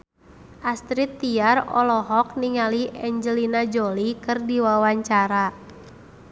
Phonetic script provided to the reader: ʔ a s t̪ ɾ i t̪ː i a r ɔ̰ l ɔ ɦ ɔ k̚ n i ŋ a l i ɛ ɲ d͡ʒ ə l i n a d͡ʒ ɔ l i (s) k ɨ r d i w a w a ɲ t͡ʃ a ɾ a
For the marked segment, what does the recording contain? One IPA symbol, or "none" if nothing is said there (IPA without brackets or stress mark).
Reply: none